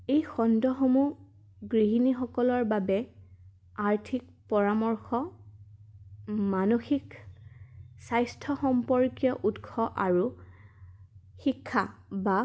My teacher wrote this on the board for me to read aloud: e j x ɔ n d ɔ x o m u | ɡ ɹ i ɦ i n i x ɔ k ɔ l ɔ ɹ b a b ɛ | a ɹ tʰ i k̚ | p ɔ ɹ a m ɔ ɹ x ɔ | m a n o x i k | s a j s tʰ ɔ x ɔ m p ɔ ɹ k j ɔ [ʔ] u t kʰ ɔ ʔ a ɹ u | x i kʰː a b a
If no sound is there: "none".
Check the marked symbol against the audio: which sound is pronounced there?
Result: ʔ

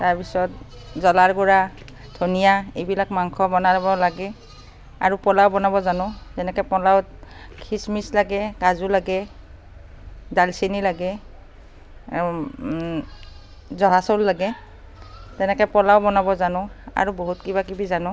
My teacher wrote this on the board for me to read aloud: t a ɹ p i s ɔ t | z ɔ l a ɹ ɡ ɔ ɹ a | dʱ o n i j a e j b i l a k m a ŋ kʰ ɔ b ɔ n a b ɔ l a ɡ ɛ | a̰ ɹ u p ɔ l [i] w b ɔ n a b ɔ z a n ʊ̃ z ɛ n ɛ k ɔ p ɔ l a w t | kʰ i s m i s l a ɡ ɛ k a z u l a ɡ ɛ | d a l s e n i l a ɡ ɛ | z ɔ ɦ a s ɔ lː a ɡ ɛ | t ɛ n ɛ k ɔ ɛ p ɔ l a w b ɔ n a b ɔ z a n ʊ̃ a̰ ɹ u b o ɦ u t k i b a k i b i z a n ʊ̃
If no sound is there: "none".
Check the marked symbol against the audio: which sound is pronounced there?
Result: a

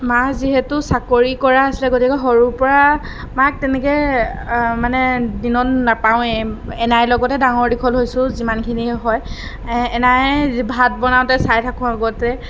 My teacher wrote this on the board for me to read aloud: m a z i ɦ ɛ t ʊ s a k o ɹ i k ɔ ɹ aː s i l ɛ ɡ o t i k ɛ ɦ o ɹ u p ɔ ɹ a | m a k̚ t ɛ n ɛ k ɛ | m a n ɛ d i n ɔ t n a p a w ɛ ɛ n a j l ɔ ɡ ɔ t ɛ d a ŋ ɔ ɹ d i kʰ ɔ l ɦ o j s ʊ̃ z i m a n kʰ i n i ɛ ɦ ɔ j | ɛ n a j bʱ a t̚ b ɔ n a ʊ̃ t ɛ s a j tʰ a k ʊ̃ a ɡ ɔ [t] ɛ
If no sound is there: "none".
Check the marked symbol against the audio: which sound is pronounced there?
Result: t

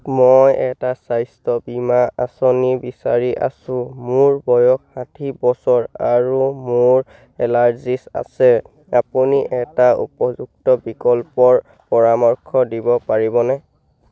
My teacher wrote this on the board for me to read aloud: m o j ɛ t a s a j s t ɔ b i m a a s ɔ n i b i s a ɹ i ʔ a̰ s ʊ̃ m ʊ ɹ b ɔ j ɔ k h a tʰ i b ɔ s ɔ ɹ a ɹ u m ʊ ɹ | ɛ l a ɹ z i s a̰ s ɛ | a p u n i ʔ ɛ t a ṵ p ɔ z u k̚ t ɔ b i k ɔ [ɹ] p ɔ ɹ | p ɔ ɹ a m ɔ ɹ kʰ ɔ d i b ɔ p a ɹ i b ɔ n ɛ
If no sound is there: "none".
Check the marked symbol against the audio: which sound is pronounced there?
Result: l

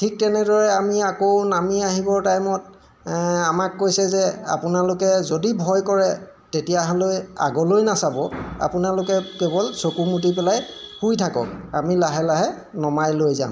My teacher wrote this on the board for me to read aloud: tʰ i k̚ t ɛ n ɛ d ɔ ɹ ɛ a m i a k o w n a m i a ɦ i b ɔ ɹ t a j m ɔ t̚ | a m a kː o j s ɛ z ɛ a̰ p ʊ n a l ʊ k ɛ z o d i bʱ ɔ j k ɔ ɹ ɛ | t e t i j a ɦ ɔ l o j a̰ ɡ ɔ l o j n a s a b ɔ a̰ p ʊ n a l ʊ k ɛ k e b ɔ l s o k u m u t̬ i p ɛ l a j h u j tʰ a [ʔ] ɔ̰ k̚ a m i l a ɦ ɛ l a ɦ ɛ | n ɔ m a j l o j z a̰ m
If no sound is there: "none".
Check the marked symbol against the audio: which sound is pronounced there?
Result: k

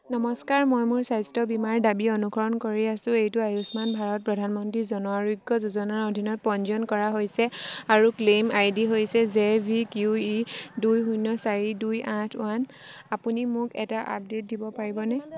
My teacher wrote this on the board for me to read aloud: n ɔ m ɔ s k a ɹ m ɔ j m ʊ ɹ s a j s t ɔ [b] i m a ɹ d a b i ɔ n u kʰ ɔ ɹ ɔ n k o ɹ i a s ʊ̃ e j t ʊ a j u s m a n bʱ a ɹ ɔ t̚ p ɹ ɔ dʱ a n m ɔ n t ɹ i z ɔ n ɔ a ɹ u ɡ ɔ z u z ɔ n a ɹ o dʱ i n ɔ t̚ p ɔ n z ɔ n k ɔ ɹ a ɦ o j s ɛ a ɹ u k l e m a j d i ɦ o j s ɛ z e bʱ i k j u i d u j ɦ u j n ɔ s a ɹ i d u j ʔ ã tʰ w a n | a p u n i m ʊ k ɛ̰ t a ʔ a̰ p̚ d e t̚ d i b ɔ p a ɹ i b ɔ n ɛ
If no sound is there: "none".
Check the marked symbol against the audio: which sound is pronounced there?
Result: b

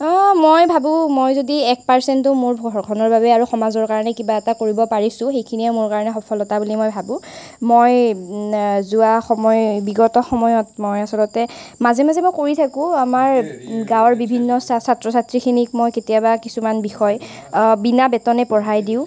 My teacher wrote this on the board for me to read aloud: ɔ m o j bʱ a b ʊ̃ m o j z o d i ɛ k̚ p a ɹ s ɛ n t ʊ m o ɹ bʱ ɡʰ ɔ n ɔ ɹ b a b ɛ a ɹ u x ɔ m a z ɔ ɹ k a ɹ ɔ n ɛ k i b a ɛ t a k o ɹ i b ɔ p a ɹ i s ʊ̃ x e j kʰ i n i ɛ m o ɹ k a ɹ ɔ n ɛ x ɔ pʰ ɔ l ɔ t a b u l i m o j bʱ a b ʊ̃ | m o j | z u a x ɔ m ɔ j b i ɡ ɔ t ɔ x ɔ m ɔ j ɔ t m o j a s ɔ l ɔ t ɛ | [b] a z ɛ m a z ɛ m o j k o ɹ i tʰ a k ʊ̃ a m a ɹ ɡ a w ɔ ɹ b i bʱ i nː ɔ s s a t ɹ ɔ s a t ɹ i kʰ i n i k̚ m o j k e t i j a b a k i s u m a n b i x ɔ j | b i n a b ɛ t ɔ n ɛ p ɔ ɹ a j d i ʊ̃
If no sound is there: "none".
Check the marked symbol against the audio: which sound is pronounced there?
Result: m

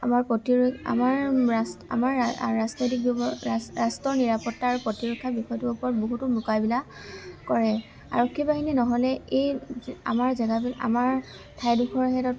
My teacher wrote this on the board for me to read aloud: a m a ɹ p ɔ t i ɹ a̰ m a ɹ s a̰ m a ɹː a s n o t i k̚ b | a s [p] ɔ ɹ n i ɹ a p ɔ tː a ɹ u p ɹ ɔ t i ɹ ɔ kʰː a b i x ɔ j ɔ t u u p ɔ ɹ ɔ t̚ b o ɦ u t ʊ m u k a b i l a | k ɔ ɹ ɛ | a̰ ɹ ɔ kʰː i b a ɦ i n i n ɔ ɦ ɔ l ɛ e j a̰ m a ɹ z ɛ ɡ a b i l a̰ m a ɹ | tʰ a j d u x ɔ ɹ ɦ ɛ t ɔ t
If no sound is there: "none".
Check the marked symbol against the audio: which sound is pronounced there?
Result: t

